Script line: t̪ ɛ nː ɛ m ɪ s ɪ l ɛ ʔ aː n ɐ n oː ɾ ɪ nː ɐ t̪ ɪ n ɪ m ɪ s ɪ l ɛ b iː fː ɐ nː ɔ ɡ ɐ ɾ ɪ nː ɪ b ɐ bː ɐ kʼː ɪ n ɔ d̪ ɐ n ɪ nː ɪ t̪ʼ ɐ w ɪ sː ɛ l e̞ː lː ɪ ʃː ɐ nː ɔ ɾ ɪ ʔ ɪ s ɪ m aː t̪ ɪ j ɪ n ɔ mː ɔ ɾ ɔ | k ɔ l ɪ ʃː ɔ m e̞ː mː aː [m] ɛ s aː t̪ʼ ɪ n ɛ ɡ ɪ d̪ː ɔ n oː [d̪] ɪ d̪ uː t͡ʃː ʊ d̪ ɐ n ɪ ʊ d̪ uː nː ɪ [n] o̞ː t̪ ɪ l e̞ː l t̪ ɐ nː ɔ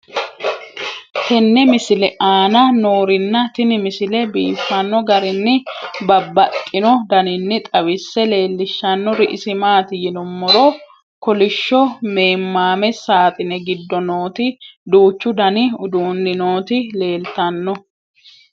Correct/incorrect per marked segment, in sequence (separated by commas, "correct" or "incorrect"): correct, incorrect, correct